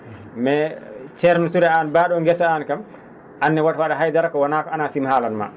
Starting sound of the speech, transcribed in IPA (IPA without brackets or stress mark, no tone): m